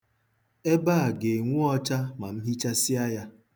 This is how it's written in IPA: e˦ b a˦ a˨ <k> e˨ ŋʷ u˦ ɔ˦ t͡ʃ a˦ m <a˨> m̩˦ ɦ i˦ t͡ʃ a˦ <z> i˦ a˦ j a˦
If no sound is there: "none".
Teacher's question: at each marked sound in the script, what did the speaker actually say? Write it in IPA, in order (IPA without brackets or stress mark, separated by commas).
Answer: ɡ, a˨, s